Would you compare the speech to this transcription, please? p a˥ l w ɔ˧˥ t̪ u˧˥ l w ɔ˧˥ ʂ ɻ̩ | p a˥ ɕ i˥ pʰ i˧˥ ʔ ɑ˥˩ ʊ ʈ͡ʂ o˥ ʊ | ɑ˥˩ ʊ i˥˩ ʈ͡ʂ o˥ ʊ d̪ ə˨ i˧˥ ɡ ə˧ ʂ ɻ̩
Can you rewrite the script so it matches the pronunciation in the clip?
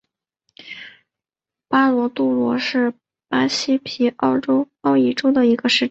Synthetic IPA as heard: p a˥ l w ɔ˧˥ t̪ u˥˩ l w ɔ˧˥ ʂ ɻ̩ | p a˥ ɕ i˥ pʰ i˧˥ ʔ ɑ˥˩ ʊ ʈ͡ʂ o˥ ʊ | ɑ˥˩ ʊ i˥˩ ʈ͡ʂ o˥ ʊ d̪ ə˨ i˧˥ ɡ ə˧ ʂ ɻ̩